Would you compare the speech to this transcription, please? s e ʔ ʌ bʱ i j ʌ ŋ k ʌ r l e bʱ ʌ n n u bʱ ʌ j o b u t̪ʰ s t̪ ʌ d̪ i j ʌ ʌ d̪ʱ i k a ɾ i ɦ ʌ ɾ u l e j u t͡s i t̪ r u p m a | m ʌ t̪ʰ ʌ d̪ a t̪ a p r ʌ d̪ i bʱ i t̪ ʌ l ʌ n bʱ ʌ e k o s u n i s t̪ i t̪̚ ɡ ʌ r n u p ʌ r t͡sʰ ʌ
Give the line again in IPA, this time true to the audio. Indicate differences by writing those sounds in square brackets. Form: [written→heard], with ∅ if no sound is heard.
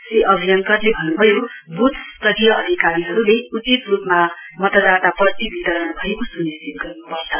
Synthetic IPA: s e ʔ ʌ bʱ i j ʌ ŋ k ʌ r l e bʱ ʌ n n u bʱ ʌ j o b u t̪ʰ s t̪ ʌ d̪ i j ʌ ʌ d̪ʱ i k a ɾ i ɦ ʌ ɾ u l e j u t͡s i t̪ r u p m a | m ʌ [t̪ʰ→t̪] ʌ d̪ a t̪ a p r ʌ [d̪→t̪] i bʱ i t̪ ʌ [l→ɾ] ʌ n bʱ ʌ e k o s u n i s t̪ i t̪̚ ɡ ʌ r n u p ʌ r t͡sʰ ʌ